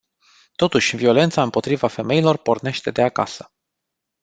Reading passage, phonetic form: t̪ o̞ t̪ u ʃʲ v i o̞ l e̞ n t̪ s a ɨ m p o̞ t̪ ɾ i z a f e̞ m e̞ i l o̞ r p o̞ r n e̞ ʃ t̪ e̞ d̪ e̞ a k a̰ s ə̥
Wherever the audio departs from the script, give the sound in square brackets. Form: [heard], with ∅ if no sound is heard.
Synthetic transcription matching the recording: t̪ o̞ t̪ u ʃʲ v i o̞ l e̞ n t̪ s a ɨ m p o̞ t̪ ɾ i [v] a f e̞ m e̞ i l o̞ r p o̞ r n e̞ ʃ t̪ e̞ d̪ e̞ a k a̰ s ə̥